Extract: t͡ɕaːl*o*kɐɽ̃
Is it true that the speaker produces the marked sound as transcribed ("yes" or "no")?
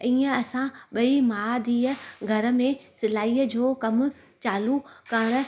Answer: no